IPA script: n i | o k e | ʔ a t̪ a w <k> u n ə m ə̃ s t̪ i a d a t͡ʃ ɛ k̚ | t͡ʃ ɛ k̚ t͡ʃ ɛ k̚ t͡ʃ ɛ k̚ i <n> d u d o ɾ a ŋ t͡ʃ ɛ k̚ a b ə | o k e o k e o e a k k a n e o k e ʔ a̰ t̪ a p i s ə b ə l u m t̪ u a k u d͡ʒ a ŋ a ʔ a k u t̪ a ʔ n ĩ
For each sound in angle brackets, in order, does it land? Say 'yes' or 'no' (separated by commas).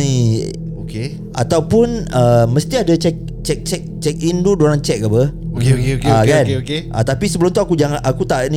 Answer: no, yes